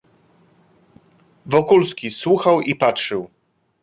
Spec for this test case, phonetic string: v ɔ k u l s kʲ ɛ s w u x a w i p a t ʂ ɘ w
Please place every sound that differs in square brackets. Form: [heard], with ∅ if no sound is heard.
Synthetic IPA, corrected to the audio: v ɔ k u l s kʲ [i] s w u x a w i p a t ʂ ɘ w